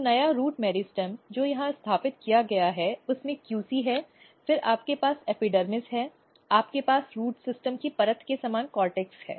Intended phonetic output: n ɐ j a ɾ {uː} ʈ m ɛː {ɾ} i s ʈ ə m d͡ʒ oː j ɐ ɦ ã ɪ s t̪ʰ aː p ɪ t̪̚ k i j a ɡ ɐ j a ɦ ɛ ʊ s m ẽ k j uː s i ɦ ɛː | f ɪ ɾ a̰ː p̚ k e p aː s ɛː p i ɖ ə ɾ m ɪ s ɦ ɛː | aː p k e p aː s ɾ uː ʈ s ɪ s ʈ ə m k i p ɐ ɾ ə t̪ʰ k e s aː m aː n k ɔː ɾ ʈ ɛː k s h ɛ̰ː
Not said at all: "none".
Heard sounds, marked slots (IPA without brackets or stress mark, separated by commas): uː, ɾ